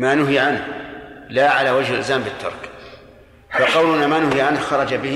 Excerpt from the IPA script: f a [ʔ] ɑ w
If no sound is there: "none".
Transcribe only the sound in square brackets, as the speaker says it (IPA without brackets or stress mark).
q